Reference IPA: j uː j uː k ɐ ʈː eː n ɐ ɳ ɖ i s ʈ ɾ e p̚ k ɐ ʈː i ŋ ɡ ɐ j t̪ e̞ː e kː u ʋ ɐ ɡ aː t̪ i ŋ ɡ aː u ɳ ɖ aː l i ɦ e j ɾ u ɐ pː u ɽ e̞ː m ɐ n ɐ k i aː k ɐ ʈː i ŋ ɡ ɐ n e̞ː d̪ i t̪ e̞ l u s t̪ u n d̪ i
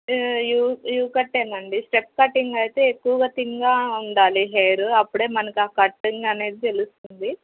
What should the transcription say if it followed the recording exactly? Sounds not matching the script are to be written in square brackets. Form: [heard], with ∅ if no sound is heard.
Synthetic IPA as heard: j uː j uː k ɐ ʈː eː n ɐ ɳ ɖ i s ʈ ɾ e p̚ k ɐ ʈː i ŋ ɡ ɐ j t̪ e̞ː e kː u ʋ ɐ ɡ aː t̪ i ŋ ɡ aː u ɳ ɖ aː l i ɦ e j ɾ u ɐ pː u ɽ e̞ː m ɐ n ɐ k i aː k ɐ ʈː i ŋ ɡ ɐ n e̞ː d̪ i t̪ e̞ l u s t̪ u n d̪ i